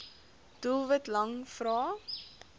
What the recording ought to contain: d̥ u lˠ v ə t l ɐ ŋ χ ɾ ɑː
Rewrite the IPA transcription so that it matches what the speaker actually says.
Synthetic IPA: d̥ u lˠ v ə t l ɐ ŋ f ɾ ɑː